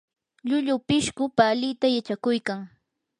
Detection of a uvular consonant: absent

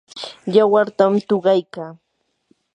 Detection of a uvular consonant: present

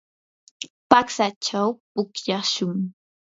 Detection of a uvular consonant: absent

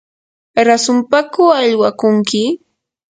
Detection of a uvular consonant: absent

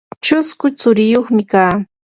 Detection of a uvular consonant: present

